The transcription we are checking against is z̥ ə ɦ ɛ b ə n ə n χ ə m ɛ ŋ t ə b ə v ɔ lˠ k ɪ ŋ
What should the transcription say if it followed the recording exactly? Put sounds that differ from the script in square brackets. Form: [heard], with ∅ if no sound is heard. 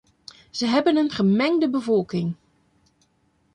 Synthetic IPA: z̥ ə ɦ ɛ b ə n ə n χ ə m ɛ ŋ [d] ə b ə v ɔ lˠ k ɪ ŋ